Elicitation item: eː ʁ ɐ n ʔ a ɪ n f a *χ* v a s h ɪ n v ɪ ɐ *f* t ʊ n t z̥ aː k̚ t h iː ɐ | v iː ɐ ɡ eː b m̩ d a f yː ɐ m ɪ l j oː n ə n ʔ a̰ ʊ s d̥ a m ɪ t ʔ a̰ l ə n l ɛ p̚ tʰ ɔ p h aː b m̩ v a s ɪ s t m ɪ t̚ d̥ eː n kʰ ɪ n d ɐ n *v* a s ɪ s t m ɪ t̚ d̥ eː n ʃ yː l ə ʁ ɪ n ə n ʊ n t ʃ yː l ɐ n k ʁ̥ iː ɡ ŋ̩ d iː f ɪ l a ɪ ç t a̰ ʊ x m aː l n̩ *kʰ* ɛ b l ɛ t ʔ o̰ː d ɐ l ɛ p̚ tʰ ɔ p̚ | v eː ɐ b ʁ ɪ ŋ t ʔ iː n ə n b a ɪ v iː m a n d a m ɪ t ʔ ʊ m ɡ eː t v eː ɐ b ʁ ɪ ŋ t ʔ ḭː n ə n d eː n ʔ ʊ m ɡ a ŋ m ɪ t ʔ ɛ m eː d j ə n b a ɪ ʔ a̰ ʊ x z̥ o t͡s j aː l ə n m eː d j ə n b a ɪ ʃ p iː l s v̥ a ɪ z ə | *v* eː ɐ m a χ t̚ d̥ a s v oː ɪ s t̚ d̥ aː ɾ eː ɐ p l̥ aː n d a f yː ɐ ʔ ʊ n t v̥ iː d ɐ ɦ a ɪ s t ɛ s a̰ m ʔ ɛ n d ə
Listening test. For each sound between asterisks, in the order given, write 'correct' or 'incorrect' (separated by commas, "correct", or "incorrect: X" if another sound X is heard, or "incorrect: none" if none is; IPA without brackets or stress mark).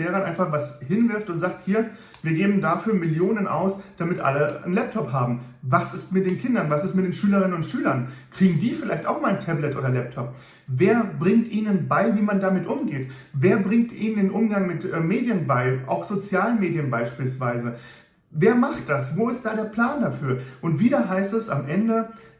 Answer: correct, correct, correct, incorrect: tʰ, correct